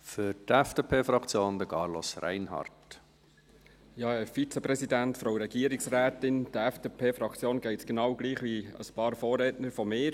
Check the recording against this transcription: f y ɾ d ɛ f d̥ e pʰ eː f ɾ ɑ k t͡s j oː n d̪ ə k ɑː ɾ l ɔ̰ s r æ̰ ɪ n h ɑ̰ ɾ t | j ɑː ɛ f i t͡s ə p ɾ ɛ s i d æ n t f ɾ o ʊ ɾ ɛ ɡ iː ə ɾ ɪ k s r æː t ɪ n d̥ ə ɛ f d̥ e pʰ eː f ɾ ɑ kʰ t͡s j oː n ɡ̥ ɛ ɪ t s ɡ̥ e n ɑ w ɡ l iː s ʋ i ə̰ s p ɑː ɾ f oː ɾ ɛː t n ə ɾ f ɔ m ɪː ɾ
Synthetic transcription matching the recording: f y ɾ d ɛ f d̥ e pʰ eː f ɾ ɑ k t͡s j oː n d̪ ə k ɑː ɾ l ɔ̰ s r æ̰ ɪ n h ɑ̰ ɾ t | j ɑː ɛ f i t͡s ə p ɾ ɛ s i d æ n t f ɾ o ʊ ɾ ɛ ɡ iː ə ɾ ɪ k s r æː t ɪ n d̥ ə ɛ f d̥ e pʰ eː f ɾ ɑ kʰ t͡s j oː n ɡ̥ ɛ ɪ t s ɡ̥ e n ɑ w ɡ l iː χ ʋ i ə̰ s p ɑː ɾ f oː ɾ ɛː t n ə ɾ f ɔ m ɪː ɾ